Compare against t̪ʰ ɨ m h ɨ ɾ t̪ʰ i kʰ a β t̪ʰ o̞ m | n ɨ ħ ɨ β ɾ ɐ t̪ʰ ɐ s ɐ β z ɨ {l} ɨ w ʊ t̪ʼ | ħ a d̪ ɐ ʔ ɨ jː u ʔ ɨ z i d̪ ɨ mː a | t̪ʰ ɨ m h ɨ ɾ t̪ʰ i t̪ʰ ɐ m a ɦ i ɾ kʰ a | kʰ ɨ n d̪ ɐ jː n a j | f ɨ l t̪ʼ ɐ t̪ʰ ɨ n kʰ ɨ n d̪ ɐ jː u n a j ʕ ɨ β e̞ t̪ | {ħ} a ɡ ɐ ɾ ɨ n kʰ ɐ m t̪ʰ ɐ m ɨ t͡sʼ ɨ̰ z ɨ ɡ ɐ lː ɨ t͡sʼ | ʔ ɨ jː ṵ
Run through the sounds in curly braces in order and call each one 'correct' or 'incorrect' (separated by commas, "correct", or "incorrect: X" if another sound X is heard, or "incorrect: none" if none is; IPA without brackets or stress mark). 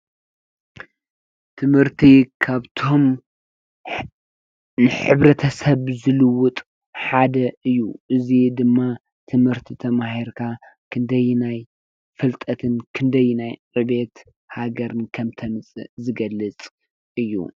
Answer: correct, incorrect: h